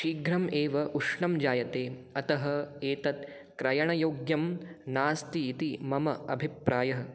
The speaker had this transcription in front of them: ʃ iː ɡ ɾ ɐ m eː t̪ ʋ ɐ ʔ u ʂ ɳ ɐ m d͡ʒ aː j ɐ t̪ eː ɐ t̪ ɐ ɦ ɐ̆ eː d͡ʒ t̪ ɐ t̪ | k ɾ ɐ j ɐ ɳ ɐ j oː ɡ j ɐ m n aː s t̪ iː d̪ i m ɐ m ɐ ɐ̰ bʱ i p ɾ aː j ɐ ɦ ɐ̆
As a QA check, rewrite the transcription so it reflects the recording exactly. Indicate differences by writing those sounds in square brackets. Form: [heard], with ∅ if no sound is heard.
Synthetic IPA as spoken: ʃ iː ɡ ɾ ɐ m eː [∅] ʋ ɐ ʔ u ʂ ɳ ɐ m d͡ʒ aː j ɐ t̪ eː ɐ t̪ ɐ ɦ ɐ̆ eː [∅] t̪ ɐ t̪ | k ɾ ɐ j ɐ ɳ ɐ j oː ɡ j ɐ m n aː s t̪ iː [t̪] i m ɐ m ɐ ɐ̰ bʱ i p ɾ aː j ɐ ɦ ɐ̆